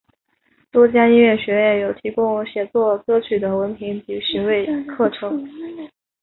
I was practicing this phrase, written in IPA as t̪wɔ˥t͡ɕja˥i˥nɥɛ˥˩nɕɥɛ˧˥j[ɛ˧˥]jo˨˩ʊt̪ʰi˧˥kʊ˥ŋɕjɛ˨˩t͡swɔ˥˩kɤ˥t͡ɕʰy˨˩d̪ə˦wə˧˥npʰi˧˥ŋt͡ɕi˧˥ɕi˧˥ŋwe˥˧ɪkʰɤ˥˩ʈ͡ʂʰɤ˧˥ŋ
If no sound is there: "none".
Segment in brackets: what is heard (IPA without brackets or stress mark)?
ɛ˥˩